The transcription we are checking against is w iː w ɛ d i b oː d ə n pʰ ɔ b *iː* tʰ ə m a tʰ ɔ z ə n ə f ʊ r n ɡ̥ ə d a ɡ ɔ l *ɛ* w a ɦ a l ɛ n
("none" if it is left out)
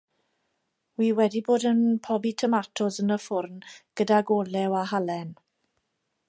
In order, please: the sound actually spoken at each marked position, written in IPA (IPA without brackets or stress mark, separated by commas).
i, ɛ